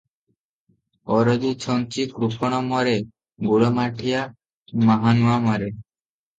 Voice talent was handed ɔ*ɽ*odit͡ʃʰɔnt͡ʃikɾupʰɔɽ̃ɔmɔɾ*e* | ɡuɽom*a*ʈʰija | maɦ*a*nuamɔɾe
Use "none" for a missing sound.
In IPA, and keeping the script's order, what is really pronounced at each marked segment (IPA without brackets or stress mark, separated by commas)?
ɾ, e, a, a